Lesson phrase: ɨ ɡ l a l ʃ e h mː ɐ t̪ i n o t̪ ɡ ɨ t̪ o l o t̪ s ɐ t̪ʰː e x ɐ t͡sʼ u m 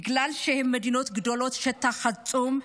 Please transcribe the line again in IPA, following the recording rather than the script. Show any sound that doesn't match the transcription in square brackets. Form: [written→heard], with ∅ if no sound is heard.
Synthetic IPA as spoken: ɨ ɡ l a l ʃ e h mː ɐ [t̪→d̪] i n o t̪ ɡ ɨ [t̪→d̪] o l o t̪ [s→ʃ] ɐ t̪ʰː [e→a] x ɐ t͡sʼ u m